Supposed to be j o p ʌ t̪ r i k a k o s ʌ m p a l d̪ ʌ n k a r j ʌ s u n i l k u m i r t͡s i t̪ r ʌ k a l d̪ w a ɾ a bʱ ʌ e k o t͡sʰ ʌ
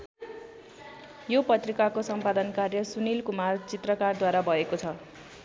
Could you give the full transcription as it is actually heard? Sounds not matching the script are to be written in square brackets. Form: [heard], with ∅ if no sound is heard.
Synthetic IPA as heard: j o p ʌ t̪ r i k a k o s ʌ m p a [∅] d̪ ʌ n k a r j ʌ s u n i l k u m [a] r t͡s i t̪ r ʌ k a [r] d̪ w a ɾ a bʱ ʌ e k o t͡sʰ ʌ

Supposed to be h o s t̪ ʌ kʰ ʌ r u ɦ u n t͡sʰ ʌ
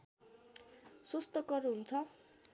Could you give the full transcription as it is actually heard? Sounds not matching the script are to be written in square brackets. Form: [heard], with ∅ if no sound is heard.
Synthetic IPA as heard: [s] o s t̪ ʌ [k] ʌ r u ɦ u n t͡sʰ ʌ

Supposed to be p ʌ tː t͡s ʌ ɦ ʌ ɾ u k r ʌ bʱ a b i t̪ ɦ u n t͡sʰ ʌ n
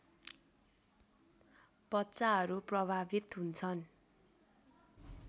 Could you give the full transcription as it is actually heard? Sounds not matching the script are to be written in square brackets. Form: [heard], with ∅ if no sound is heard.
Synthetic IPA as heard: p ʌ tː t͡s [a] ɦ ʌ ɾ u [p] r ʌ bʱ a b i t̪ ɦ u n t͡sʰ ʌ n

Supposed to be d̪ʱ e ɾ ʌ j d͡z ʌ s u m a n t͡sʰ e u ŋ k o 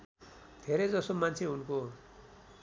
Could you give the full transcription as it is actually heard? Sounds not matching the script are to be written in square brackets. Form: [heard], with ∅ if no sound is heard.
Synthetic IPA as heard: d̪ʱ e ɾ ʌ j d͡z ʌ s [o] m a n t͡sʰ e u [n] k o

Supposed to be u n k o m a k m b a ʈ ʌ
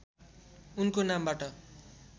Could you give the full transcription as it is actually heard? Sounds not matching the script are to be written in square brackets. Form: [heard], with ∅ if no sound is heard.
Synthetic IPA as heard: u n k o [n] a [∅] m b a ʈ ʌ

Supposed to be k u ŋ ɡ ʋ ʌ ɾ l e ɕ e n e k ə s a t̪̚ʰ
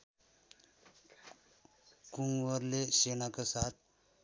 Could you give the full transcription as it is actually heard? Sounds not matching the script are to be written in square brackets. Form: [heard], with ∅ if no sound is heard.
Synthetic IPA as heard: k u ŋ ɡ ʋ [ə] ɾ l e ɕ e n [a] k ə s a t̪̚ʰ

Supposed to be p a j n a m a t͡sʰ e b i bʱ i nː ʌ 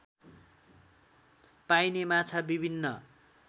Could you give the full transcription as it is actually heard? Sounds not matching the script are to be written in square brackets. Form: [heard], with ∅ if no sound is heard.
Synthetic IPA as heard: p a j n [e] m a t͡sʰ [a] b i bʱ i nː ʌ

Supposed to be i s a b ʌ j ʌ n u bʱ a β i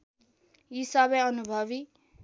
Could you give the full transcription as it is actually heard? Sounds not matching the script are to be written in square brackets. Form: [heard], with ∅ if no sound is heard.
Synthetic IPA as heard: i s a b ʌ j ʌ n u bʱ [ʌ] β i

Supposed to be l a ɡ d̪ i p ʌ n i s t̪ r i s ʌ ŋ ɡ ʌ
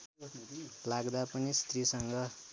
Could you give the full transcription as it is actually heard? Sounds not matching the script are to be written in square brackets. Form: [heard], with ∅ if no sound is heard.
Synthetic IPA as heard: l a ɡ d̪ [a] p ʌ n i s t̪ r i s ʌ ŋ ɡ ʌ

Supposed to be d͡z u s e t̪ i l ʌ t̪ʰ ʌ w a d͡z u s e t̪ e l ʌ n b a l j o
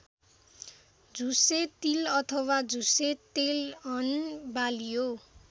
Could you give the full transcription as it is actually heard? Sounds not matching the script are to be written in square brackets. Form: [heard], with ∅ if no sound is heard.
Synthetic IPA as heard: d͡z u s e t̪ i l ʌ t̪ʰ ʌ w a d͡z u s e t̪ e l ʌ n b a l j o

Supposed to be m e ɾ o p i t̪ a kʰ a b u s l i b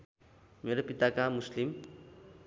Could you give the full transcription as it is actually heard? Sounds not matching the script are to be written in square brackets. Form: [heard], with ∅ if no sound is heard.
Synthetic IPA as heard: m e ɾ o p i t̪ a [k] a [m] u s l i [m]

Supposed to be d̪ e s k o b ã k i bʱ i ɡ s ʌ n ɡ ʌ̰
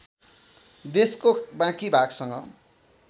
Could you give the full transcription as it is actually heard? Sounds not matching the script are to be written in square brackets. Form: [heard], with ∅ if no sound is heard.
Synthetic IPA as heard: d̪ e s k o b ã k i bʱ [a] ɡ s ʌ [ŋ] ɡ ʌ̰

